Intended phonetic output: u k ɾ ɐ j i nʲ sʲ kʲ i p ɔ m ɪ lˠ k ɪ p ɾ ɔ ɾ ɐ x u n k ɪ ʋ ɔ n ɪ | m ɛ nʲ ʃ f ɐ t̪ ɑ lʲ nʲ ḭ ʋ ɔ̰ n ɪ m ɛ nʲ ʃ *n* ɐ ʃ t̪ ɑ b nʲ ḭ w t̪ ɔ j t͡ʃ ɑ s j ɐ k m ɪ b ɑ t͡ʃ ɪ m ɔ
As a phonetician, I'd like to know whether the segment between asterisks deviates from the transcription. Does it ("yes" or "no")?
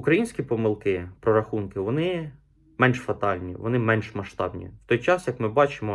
yes